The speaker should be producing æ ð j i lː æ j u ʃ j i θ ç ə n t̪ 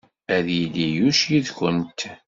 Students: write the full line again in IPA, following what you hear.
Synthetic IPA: æ ð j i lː i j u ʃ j i ð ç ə n t̪